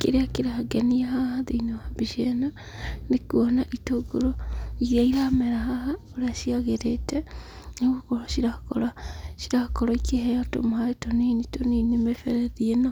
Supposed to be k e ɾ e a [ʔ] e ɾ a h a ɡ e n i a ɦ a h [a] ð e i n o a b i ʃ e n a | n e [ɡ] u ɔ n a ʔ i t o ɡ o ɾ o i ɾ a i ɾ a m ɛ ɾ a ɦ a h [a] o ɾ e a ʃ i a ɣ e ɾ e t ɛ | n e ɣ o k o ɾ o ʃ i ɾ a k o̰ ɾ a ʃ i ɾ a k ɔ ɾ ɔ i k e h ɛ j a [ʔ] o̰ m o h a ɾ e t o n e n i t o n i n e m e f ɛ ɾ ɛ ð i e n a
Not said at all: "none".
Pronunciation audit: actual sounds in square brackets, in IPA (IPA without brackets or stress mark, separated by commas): k, a, k, a, t